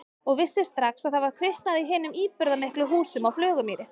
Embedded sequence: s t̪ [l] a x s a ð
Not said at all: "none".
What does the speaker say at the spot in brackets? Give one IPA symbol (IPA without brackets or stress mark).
ɾ